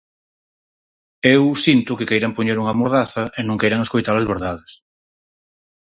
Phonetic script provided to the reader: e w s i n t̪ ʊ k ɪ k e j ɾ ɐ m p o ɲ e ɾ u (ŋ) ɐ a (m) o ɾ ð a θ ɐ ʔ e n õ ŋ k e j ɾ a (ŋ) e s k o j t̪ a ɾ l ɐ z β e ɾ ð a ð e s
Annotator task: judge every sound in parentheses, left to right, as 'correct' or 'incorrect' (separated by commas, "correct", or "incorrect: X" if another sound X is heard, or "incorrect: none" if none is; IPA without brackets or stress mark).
correct, correct, correct